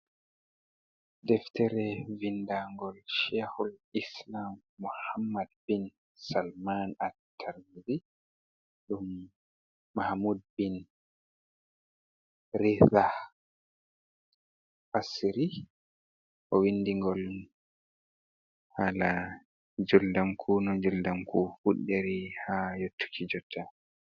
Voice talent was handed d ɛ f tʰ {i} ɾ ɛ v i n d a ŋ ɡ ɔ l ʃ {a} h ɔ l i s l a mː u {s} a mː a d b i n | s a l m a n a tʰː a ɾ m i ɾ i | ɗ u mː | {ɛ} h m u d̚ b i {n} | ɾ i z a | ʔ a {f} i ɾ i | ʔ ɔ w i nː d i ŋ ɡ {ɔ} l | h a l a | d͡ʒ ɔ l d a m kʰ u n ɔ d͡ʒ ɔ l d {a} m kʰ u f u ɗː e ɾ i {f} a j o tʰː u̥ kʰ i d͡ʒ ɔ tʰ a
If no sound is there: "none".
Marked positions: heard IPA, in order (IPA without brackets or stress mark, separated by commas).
ɛ, ɛ, h, a, n, s, ɔ, a, h